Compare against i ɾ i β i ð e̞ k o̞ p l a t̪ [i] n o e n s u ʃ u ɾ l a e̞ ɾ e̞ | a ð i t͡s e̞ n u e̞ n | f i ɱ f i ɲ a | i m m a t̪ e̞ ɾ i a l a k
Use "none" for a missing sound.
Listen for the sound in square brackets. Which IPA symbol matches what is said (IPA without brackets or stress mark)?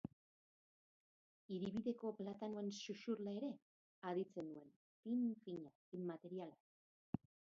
a